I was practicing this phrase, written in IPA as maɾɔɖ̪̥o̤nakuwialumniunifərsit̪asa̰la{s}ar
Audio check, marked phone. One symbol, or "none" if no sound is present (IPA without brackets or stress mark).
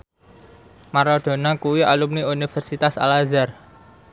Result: z